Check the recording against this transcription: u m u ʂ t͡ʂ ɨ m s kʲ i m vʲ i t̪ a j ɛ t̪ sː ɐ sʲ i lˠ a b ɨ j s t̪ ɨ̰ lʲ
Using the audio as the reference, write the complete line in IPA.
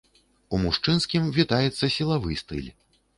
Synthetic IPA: u m u ʂ t͡ʂ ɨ n s kʲ i m vʲ i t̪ a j ɛ t̪ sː ɐ sʲ i lˠ a v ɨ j s t̪ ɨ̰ lʲ